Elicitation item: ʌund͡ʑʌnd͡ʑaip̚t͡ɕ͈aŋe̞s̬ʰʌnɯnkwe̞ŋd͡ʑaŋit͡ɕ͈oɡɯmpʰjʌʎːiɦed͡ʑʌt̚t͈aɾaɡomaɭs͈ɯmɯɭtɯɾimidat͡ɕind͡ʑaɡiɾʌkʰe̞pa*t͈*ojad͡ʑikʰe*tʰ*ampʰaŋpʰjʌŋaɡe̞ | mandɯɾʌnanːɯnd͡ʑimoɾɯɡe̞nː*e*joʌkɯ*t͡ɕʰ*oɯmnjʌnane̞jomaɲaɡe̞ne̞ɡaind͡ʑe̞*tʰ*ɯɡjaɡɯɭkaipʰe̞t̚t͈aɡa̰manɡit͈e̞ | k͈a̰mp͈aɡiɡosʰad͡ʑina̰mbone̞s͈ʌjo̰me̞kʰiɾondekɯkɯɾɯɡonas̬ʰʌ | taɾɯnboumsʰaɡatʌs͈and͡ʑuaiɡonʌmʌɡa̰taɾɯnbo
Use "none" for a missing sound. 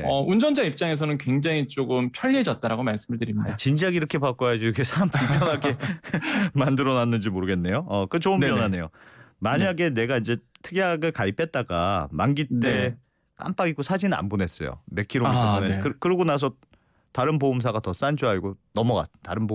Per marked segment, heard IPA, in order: k͈, sʰ, e, t͡ɕ, tʰ

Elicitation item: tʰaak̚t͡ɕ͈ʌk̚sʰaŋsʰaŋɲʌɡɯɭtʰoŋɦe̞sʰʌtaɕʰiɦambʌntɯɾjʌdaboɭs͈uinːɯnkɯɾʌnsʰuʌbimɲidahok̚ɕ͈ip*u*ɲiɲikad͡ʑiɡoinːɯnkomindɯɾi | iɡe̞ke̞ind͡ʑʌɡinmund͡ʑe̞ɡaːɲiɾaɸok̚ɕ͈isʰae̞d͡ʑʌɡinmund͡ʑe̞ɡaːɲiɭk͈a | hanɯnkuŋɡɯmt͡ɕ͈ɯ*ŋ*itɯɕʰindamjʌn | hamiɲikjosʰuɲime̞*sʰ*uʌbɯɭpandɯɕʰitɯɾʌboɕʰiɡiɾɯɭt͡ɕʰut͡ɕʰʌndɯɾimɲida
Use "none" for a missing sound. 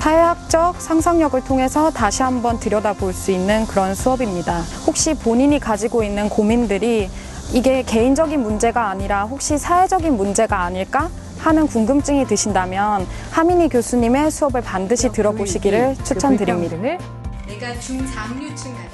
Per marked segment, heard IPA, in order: o, ŋ, sʰ

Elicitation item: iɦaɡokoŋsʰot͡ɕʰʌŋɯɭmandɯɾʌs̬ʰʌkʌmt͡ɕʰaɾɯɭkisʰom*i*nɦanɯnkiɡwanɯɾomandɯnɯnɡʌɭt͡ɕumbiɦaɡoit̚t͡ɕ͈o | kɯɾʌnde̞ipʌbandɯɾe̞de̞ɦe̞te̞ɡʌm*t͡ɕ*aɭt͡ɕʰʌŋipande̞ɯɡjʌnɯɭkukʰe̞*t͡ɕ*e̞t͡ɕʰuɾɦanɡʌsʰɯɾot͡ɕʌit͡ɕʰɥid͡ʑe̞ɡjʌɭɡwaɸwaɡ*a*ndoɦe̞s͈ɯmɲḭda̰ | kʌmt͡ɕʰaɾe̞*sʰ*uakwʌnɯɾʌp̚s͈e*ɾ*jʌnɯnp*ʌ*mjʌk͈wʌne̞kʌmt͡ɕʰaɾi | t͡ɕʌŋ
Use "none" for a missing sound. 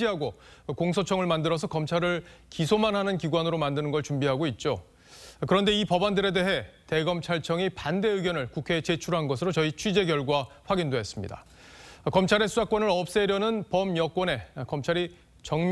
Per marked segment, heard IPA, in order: a, t͡ɕʰ, t͡ɕ, i, sʰ, ɾ, ʌ

